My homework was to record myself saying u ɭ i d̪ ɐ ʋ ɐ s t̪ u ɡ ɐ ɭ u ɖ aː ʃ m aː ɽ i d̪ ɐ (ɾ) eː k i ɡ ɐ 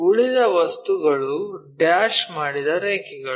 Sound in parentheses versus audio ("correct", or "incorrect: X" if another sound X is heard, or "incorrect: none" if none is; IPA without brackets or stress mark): correct